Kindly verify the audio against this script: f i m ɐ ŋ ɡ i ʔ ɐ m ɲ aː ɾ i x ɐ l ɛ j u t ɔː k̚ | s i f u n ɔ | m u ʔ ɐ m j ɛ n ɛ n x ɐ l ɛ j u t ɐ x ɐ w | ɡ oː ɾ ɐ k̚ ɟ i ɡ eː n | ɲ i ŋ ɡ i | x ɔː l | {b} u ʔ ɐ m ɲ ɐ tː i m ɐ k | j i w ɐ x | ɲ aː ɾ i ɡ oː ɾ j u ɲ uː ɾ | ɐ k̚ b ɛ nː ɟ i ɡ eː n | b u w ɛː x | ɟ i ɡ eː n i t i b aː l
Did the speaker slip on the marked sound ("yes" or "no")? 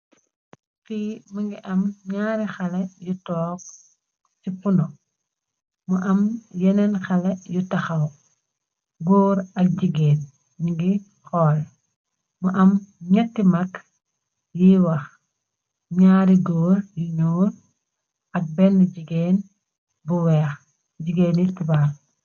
yes